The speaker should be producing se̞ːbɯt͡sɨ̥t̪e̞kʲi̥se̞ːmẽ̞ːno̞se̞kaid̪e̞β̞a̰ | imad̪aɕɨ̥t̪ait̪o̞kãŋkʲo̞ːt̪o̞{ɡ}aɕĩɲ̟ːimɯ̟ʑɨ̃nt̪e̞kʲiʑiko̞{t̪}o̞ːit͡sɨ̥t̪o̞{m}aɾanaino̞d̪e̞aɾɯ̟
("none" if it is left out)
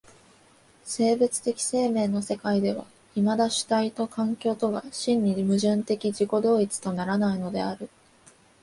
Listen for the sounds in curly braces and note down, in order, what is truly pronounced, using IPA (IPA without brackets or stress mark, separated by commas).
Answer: ɡ, d̪, n